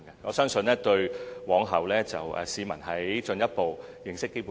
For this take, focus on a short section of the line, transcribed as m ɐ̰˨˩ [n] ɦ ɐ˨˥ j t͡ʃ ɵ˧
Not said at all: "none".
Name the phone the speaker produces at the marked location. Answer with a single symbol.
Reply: n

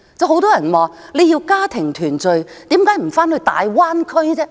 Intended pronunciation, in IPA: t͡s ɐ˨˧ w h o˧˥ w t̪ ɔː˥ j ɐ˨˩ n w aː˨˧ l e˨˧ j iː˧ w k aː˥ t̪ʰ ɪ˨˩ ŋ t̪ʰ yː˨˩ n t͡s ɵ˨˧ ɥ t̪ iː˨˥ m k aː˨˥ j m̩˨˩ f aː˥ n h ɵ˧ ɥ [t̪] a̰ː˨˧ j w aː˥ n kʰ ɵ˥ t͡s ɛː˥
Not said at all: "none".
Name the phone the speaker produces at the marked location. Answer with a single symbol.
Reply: t̪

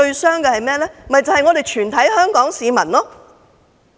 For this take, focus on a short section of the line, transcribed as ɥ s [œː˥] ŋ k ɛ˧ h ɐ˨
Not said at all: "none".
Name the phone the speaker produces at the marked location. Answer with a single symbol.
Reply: œː˥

